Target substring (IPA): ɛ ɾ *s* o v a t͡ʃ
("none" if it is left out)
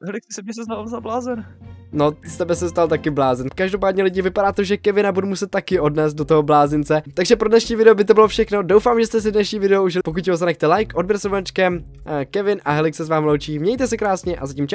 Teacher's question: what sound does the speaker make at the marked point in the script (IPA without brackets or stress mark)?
s